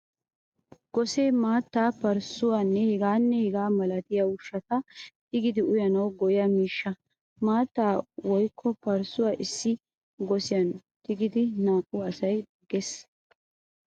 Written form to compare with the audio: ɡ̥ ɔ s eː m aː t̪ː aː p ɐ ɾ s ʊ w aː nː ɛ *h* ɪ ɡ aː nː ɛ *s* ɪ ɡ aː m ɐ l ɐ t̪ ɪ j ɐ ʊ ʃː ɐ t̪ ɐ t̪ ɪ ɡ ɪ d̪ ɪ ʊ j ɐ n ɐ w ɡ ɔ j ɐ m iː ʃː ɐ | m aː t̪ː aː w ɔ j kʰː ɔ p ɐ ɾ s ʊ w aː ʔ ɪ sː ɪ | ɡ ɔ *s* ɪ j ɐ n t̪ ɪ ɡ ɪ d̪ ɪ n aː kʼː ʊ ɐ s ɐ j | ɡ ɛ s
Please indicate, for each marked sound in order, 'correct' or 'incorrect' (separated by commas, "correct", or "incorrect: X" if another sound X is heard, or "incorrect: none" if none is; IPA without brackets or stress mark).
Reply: correct, incorrect: h, correct